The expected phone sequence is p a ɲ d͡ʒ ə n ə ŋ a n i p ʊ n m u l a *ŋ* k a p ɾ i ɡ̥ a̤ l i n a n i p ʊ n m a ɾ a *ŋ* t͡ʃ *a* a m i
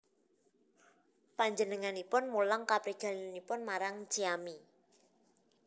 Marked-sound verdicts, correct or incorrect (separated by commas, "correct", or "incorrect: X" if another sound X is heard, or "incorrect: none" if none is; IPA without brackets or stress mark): correct, correct, incorrect: i